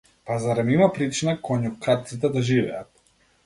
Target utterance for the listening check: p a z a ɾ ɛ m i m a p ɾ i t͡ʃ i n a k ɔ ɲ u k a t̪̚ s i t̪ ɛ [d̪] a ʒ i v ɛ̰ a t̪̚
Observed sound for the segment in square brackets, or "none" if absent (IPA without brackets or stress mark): d̪